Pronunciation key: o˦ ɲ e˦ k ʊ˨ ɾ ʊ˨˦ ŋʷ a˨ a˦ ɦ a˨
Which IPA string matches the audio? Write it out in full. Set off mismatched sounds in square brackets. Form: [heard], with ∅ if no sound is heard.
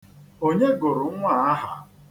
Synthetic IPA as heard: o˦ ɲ e˦ [ɡ] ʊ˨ ɾ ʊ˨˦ ŋʷ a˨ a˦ ɦ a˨